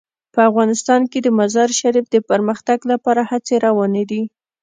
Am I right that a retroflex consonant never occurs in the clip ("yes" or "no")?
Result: yes